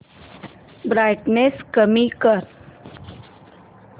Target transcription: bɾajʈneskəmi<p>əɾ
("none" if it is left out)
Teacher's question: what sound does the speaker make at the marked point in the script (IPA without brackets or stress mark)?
k